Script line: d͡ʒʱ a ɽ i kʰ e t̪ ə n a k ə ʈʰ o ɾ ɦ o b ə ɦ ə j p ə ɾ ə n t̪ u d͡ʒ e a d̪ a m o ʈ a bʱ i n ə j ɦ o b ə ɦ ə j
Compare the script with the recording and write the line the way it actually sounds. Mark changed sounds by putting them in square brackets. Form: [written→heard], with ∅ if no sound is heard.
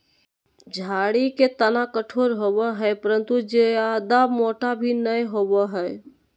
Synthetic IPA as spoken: d͡ʒʱ a ɽ i [kʰ→k] e t̪ ə n a k ə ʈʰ o ɾ ɦ o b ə ɦ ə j p ə ɾ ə n t̪ u d͡ʒ e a d̪ a m o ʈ a bʱ i n ə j ɦ o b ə ɦ ə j